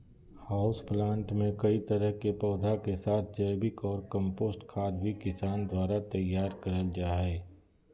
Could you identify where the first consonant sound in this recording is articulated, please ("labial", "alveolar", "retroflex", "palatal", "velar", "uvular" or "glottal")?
glottal